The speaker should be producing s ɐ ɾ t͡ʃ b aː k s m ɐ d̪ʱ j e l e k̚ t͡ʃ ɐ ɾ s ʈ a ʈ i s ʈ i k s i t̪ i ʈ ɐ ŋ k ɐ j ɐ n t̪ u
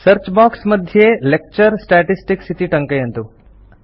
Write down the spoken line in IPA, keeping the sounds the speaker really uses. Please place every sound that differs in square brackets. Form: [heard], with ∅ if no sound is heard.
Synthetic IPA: s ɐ ɾ t͡ʃ b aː k s m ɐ d̪ʱ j e l e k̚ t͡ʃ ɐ ɾ s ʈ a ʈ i s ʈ i k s i t̪ i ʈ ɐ ŋ k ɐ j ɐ n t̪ u

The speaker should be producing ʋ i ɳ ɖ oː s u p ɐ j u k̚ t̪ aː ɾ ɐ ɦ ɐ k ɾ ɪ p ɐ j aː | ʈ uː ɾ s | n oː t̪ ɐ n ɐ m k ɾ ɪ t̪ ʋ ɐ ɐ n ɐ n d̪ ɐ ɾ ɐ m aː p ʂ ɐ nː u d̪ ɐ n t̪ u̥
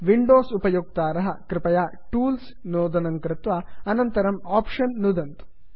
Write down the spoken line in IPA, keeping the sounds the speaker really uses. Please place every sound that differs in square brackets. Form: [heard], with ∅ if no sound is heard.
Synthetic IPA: ʋ i ɳ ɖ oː s u p ɐ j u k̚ t̪ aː ɾ ɐ ɦ ɐ k ɾ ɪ p ɐ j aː | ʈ uː [l] s | n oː [d̪] ɐ n ɐ [ŋ] k ɾ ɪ t̪ ʋ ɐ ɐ n ɐ n [t̪] ɐ ɾ ɐ m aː p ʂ ɐ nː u d̪ ɐ n t̪ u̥

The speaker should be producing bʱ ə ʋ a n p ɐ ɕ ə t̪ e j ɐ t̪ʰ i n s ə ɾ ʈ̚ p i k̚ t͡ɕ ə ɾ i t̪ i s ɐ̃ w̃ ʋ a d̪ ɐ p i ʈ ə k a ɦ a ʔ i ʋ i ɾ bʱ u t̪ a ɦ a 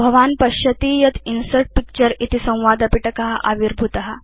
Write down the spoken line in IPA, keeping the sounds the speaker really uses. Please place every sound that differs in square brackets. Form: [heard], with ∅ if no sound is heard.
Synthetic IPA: bʱ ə ʋ a n p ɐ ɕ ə t̪ [i] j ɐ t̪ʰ i n s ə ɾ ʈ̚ p i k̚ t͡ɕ ə ɾ i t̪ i s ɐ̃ w̃ ʋ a d̪ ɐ p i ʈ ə k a ɦ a ʔ [a] ʋ i ɾ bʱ u t̪ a ɦ a

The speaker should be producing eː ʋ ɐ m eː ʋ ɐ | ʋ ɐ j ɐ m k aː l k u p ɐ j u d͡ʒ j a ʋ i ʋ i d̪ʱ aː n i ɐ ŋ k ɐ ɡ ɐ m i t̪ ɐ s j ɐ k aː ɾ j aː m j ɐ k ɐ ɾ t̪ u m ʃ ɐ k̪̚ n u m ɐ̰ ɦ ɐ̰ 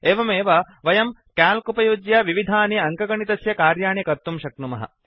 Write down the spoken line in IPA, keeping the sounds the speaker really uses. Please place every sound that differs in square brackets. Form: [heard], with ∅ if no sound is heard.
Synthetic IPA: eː ʋ ɐ m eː ʋ ɐ | ʋ ɐ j ɐ m k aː l k u p ɐ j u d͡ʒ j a ʋ i ʋ i d̪ʱ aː n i ɐ ŋ k ɐ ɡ ɐ [ɳ] i t̪ ɐ s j ɐ k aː ɾ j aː [ɳ] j ɐ k ɐ ɾ t̪ u m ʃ ɐ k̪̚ n u m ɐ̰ ɦ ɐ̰

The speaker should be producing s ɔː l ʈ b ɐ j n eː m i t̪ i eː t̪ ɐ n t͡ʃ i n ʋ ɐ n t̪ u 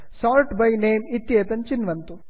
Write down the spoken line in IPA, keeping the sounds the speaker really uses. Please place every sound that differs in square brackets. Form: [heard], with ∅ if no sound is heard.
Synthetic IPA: s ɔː l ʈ b ɐ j n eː m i t̪ [j] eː t̪ ɐ n t͡ʃ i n ʋ ɐ n t̪ u

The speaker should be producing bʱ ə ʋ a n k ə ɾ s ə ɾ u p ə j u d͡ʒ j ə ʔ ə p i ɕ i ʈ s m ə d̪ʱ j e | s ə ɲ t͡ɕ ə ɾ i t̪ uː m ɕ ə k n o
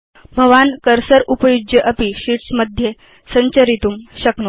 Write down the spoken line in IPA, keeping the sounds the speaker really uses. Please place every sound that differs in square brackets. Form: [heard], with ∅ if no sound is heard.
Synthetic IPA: bʱ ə ʋ a n k ə ɾ s ə ɾ u p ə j u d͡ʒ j ə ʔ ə p i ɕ i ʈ s m ə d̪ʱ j e | s ə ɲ t͡ɕ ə ɾ i t̪ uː m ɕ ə k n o

